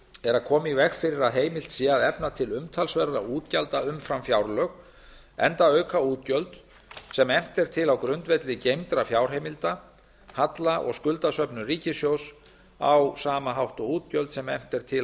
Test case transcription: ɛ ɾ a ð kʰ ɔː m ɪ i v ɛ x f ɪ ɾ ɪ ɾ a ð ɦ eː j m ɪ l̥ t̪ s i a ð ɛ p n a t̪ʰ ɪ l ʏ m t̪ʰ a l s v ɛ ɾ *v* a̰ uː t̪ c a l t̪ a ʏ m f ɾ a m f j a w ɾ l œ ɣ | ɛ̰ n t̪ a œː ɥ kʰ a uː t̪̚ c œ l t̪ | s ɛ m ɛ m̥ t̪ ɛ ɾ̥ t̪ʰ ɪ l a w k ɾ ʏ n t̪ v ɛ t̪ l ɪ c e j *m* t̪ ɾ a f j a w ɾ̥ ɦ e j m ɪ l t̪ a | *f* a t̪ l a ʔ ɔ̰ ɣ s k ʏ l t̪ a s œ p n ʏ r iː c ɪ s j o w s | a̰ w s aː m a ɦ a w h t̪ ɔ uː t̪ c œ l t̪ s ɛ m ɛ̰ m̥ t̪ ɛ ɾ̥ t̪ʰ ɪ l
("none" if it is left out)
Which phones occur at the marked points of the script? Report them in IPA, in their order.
ð, m, h

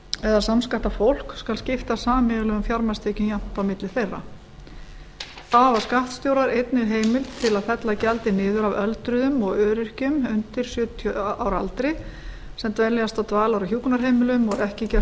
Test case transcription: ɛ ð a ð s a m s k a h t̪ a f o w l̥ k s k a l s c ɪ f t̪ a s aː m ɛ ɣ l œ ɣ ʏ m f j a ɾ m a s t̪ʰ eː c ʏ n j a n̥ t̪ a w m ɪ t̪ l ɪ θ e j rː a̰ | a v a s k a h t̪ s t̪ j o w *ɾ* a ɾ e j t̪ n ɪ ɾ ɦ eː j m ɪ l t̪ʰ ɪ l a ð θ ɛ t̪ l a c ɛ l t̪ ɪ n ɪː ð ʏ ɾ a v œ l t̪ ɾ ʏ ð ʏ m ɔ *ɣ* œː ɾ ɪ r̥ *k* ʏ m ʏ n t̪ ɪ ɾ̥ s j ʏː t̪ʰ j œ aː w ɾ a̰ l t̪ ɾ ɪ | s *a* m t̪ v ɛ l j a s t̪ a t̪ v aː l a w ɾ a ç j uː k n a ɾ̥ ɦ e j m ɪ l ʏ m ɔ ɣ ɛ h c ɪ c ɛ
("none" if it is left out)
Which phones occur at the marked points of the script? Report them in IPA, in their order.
ɾ, ɣ, c, ɛ

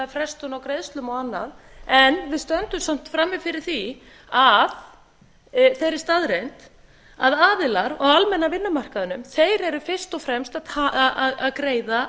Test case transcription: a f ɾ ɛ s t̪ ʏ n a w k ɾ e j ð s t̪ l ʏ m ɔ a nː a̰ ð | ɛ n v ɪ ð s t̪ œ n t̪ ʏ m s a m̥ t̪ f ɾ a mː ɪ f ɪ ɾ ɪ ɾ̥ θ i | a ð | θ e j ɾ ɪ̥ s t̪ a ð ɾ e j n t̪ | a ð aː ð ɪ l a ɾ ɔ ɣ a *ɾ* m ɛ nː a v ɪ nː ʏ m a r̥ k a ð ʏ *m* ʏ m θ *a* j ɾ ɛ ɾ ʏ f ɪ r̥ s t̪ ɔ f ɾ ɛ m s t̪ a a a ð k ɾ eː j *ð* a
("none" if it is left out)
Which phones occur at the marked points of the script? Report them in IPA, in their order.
l, n, e, ð

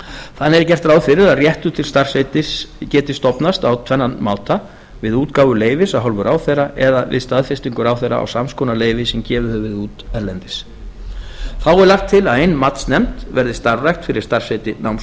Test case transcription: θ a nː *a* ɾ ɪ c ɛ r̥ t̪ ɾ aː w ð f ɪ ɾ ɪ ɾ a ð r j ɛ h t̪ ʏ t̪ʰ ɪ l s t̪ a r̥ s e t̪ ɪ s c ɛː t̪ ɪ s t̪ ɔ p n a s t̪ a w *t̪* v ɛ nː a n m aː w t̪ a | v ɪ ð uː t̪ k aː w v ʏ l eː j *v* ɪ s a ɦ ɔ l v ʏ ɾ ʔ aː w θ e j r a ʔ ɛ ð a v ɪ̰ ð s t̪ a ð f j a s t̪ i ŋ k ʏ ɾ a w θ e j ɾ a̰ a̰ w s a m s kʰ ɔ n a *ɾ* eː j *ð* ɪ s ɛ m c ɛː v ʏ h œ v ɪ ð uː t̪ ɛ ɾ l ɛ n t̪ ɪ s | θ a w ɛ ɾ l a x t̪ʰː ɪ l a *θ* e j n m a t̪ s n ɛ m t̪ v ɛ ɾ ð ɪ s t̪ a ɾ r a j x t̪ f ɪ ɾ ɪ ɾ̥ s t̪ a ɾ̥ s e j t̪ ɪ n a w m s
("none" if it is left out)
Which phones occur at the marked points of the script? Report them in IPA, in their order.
ɛ, t̪ʰ, v, l, v, ð

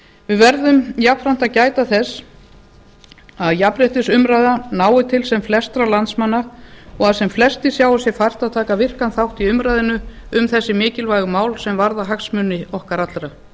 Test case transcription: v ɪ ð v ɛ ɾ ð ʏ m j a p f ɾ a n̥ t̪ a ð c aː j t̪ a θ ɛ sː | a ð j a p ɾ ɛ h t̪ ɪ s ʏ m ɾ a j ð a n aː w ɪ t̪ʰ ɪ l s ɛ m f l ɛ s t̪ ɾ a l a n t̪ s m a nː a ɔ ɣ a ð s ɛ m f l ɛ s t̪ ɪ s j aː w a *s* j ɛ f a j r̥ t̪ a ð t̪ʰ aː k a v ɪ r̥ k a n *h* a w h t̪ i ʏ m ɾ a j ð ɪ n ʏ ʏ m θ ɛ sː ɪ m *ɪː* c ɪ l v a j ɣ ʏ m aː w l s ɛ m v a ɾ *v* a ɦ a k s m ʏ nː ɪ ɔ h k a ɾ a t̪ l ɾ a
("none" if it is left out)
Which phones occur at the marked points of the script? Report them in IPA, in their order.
s, θ, ɪː, ð

